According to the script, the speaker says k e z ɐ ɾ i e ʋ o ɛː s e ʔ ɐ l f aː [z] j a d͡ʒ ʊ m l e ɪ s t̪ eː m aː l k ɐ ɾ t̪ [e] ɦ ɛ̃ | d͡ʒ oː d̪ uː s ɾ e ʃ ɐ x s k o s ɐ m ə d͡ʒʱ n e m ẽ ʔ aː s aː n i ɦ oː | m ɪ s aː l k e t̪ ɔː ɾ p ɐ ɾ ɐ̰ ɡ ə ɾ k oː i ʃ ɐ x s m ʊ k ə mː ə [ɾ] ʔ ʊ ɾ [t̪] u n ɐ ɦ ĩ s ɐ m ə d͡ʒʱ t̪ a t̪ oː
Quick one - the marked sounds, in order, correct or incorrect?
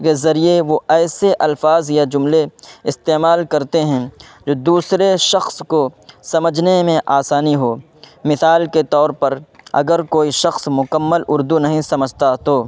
correct, correct, incorrect: l, incorrect: d̪

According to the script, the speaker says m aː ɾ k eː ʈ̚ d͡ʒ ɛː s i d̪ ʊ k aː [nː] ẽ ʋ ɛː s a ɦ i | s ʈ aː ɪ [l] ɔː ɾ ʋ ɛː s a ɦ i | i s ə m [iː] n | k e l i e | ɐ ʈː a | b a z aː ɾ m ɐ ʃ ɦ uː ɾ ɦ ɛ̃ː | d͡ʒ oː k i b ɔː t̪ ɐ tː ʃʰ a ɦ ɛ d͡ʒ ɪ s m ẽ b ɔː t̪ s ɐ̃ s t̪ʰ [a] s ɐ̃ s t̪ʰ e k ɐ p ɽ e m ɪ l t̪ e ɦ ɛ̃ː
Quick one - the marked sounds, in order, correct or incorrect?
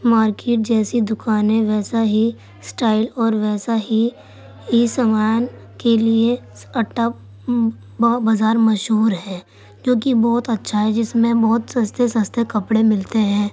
incorrect: n, correct, incorrect: aː, incorrect: e

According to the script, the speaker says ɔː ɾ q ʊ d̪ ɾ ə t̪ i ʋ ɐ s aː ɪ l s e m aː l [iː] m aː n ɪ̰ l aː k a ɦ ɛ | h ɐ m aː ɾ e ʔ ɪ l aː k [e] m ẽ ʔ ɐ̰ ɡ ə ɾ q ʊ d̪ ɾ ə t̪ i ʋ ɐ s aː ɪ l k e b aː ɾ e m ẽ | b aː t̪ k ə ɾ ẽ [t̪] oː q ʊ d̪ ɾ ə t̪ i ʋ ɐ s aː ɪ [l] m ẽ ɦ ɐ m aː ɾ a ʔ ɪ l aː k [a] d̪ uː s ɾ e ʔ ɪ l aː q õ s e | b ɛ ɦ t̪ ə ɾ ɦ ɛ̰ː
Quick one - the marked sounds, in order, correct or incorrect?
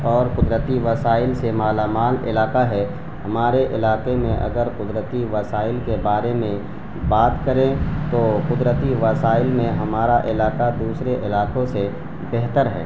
incorrect: aː, correct, correct, correct, correct

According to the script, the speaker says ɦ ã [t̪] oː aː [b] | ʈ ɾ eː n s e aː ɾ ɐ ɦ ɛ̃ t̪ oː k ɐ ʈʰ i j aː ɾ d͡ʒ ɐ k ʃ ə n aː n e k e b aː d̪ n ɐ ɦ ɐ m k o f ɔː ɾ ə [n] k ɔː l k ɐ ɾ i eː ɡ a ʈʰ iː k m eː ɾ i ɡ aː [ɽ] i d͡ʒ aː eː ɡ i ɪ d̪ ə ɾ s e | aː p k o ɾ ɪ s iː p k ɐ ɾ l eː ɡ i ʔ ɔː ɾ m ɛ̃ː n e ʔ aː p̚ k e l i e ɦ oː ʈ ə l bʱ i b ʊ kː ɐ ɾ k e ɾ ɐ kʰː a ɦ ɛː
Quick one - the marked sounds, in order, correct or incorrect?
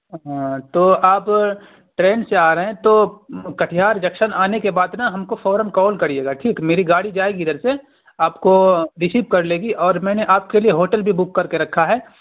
correct, incorrect: p, correct, correct

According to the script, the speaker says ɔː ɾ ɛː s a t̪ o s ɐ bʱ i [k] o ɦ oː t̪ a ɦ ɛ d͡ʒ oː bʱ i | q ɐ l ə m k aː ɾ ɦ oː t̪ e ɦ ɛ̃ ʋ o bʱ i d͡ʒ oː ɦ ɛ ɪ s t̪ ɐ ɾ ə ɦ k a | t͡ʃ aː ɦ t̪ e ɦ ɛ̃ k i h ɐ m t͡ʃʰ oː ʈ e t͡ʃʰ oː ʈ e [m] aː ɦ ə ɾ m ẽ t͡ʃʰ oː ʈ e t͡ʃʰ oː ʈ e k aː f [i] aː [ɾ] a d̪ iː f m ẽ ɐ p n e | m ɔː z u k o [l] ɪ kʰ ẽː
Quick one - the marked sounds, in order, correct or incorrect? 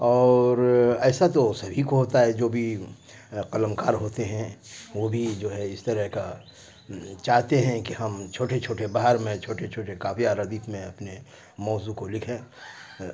correct, incorrect: b, correct, correct, correct

